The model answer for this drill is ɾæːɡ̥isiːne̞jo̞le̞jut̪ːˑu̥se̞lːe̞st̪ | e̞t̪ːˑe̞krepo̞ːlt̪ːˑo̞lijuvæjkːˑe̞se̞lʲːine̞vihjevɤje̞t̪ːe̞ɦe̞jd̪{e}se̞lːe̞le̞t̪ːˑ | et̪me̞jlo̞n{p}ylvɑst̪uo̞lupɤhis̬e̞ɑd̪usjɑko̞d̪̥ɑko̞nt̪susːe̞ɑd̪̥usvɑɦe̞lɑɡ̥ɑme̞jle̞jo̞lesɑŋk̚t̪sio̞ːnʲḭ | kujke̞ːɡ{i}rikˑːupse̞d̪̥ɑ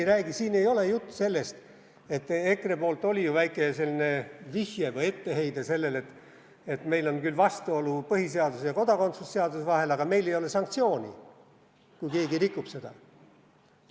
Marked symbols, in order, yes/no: yes, no, yes

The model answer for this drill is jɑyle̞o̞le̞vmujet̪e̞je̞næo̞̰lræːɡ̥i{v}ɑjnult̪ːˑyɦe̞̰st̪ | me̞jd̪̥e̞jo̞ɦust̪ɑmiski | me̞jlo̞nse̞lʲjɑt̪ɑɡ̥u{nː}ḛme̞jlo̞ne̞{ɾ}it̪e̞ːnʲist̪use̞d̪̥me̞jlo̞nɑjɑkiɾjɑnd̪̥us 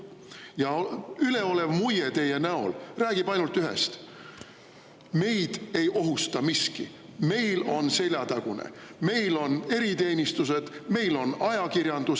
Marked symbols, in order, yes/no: no, no, yes

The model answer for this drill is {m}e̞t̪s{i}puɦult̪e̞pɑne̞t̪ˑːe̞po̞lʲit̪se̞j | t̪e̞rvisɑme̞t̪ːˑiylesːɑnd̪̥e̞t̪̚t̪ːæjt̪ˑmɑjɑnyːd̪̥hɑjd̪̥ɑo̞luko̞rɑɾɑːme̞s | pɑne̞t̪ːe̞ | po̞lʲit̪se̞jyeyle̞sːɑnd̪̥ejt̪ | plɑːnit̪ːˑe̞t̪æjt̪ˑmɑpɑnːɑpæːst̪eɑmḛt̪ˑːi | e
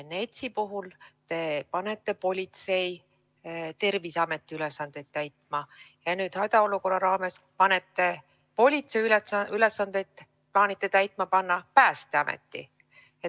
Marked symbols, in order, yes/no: no, yes

